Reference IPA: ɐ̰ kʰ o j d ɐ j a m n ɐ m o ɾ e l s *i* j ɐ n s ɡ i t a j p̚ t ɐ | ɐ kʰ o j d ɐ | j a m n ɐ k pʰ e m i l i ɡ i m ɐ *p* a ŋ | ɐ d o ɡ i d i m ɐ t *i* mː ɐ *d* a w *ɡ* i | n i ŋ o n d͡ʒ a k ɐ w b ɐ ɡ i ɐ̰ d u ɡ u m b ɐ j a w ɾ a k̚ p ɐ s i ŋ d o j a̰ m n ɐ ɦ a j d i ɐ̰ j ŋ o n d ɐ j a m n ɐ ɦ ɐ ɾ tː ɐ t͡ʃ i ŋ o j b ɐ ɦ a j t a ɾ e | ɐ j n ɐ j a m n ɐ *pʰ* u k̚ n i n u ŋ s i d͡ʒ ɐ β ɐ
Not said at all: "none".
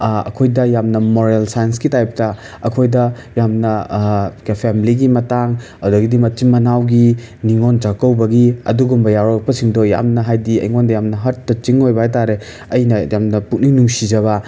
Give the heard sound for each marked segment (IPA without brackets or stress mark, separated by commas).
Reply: a, t, i, n, ɡ, p